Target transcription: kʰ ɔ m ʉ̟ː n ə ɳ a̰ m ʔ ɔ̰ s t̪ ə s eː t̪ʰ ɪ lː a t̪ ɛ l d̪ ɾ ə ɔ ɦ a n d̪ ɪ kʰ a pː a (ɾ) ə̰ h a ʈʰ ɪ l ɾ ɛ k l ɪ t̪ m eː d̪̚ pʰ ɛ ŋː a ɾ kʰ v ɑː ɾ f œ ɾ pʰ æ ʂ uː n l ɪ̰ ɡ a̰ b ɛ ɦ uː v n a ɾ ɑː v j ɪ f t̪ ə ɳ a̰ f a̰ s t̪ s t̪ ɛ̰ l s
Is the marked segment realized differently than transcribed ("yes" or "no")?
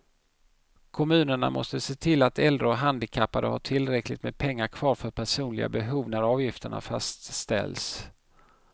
no